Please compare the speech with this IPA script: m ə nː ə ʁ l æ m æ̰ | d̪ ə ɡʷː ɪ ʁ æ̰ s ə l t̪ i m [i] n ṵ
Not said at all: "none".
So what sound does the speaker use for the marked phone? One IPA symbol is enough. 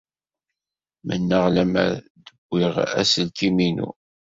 i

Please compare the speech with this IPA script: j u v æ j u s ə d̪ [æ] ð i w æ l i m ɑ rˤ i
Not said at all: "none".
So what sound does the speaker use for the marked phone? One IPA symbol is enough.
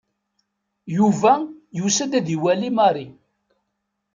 æ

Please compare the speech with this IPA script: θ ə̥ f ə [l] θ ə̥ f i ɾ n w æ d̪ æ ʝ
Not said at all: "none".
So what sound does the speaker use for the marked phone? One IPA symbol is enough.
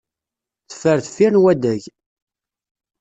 ɾ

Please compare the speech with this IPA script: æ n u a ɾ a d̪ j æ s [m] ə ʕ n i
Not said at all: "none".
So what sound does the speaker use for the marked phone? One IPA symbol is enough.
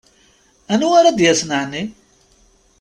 n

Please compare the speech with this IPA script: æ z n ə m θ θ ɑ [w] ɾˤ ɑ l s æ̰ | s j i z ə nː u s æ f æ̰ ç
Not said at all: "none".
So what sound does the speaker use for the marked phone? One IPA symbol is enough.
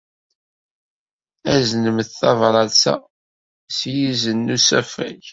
v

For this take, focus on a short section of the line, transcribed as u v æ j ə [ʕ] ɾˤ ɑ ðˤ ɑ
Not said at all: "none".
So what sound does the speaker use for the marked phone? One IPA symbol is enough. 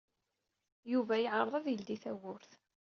ʕ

